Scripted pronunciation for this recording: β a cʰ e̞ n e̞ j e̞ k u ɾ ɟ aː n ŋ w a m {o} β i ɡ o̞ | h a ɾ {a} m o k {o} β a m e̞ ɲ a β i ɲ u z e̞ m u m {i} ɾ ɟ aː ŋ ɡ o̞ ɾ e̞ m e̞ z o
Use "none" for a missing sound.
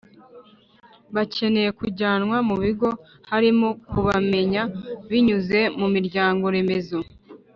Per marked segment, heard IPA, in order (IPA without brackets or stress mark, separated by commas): u, i, u, i